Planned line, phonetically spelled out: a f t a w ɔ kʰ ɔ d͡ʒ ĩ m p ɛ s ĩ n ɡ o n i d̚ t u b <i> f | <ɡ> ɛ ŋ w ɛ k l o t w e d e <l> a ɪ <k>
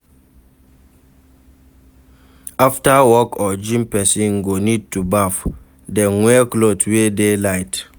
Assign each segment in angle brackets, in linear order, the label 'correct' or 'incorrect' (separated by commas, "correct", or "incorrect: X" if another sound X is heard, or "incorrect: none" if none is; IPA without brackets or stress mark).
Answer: incorrect: a, incorrect: d, correct, incorrect: t